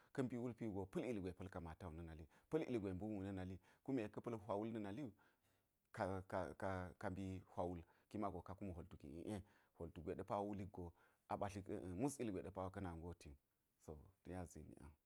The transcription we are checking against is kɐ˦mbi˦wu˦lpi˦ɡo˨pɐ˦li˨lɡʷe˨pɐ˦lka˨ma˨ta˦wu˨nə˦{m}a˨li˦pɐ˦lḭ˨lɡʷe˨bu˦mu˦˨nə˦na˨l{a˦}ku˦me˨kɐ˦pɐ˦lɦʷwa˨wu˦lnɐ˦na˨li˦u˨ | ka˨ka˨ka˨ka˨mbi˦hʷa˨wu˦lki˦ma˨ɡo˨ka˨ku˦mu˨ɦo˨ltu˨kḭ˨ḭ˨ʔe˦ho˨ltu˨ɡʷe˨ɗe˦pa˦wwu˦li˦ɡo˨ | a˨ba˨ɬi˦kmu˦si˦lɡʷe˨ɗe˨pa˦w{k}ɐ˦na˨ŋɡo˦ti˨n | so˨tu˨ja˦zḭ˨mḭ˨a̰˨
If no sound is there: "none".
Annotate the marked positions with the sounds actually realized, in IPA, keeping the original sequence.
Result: n, i˦, k

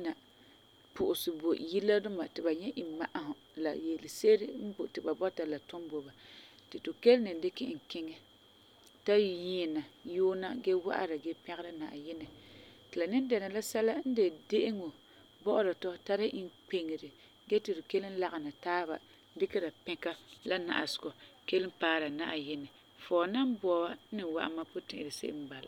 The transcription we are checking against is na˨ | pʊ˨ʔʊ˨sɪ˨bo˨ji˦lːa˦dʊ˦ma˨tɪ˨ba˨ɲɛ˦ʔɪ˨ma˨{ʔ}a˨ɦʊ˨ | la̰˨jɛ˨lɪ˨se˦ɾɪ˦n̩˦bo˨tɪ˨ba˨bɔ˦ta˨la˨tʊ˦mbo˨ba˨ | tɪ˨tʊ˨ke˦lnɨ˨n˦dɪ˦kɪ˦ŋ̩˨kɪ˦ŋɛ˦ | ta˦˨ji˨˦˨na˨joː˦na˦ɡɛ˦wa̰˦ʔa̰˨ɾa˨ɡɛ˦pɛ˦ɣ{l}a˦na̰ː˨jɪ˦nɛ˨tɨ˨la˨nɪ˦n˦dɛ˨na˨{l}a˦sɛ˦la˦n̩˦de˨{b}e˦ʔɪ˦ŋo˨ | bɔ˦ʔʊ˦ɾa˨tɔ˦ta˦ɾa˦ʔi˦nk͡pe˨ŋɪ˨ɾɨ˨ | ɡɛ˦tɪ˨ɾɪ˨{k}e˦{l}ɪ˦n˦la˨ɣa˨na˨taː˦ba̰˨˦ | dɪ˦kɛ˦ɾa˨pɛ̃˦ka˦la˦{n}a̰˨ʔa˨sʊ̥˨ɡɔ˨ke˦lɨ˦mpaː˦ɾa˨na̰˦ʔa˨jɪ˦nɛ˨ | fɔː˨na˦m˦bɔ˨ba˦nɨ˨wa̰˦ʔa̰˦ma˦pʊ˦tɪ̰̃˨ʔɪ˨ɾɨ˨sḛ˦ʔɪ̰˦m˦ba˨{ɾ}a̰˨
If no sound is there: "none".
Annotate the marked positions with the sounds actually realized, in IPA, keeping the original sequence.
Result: ʔ, ɾ, l, d, k, l, n, l

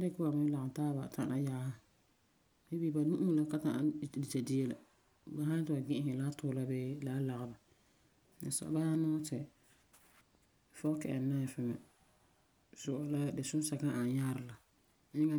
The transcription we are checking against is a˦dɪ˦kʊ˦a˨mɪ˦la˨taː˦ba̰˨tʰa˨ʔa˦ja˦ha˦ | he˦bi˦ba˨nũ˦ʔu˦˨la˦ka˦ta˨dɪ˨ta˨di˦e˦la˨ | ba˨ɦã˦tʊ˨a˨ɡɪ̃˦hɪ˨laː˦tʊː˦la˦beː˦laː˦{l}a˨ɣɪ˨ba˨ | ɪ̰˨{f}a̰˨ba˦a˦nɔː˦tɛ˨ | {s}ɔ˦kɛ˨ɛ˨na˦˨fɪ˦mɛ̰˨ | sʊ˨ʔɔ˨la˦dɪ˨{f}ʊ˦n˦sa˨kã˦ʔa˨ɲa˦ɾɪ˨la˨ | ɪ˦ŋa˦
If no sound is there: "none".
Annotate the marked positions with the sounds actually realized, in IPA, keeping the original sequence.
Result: l, s, f, s

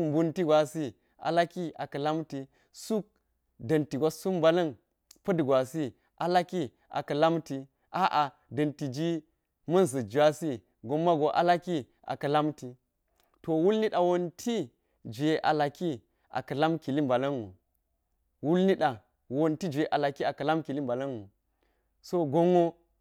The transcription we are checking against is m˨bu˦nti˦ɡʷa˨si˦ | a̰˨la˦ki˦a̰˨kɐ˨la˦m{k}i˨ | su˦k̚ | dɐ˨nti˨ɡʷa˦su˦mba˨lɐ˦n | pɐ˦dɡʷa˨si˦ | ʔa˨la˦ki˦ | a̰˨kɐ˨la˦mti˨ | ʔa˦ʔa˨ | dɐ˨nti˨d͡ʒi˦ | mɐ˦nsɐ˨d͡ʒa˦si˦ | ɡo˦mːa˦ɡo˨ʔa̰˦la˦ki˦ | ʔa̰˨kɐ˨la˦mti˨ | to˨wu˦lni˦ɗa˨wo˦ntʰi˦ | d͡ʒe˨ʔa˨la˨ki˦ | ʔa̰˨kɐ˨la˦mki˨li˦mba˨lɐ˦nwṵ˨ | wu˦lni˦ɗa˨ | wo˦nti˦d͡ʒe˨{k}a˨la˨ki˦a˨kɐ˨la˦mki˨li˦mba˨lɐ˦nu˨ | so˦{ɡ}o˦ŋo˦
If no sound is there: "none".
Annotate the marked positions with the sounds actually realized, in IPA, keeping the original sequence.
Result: t, ʔ, ɡ

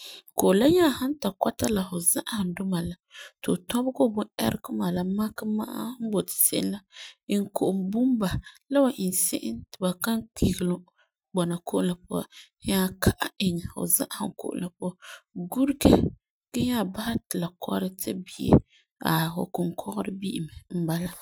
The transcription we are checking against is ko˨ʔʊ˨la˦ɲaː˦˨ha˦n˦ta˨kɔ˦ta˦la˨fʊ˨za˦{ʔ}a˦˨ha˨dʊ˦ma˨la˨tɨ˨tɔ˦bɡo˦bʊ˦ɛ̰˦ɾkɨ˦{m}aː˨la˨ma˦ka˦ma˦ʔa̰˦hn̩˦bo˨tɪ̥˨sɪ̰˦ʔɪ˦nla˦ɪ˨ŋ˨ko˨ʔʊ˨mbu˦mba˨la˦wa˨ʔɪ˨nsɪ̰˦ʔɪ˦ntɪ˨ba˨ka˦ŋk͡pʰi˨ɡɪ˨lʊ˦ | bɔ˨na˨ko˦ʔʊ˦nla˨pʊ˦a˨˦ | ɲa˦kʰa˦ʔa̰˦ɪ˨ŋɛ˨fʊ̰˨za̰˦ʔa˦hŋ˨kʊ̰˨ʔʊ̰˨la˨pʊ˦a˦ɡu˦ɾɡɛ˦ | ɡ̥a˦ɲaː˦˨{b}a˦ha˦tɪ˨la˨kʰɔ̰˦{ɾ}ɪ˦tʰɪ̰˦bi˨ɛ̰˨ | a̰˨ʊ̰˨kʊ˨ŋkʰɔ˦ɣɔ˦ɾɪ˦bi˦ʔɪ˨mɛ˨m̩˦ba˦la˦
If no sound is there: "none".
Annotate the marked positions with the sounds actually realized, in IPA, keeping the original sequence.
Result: ʔ, m, b, ɾ

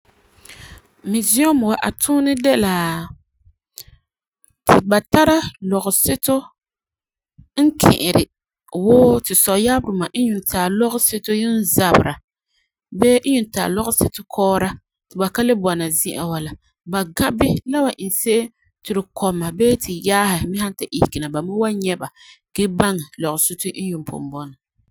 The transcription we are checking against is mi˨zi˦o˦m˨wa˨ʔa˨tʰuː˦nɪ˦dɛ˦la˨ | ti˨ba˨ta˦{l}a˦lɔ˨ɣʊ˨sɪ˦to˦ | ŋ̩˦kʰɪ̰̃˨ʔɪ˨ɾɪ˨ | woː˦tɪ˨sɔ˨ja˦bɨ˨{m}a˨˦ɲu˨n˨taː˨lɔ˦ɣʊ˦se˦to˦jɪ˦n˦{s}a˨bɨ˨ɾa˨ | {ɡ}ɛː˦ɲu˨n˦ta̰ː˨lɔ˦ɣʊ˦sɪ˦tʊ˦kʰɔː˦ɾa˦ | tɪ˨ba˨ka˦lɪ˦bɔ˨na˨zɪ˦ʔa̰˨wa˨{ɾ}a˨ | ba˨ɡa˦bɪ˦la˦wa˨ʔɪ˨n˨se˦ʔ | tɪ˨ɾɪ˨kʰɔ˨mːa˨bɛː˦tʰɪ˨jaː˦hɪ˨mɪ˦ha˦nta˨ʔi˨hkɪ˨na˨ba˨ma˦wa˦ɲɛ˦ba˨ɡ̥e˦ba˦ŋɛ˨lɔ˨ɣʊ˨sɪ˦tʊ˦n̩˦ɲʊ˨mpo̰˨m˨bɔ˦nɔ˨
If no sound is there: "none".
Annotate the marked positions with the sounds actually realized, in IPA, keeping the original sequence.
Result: ɾ, m, z, b, l

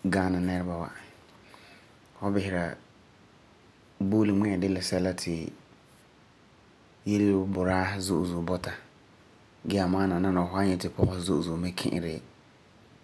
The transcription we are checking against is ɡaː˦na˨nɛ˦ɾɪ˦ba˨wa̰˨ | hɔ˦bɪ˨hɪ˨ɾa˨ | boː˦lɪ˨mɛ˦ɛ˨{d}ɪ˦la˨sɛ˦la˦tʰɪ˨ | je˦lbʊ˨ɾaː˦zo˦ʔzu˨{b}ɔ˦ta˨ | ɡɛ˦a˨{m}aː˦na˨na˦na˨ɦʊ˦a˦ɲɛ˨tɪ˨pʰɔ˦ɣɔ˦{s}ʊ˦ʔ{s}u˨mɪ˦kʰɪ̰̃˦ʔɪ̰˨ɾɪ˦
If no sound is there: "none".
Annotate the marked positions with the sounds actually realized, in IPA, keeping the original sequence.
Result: d, b, m, z, z

